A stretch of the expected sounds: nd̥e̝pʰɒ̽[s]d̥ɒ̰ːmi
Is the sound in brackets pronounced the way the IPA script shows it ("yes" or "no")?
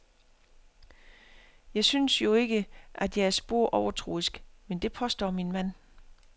yes